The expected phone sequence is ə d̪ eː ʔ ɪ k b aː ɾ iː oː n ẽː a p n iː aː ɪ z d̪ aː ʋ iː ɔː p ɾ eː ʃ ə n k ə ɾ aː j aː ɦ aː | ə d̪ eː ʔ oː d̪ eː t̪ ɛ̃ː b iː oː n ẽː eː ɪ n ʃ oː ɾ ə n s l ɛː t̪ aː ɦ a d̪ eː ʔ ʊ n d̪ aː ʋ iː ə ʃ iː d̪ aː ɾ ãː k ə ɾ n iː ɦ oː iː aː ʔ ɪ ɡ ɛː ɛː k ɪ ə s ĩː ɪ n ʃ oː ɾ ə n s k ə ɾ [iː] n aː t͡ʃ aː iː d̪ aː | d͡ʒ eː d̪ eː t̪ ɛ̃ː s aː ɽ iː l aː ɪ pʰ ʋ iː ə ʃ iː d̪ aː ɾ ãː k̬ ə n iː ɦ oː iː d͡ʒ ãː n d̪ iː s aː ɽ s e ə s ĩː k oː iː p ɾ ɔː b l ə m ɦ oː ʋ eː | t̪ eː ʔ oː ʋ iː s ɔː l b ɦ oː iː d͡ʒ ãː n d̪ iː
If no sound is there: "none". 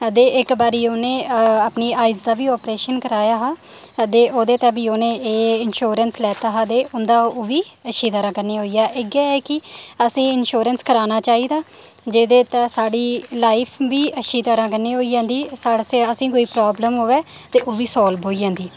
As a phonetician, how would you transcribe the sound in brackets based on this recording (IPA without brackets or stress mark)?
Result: aː